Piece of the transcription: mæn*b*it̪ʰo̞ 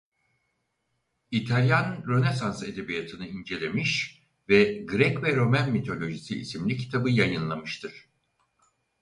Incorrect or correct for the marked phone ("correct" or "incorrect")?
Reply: incorrect